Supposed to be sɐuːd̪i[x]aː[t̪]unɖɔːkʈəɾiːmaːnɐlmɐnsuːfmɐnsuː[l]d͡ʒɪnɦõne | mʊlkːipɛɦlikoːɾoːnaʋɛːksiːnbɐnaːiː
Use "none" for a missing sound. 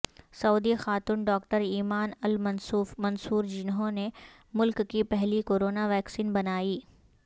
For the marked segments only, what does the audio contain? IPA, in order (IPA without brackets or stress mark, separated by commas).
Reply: x, t̪, ɾ